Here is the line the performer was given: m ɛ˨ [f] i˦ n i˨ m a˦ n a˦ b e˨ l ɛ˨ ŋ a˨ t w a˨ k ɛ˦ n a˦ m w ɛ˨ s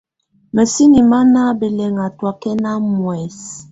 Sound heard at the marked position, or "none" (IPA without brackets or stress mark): s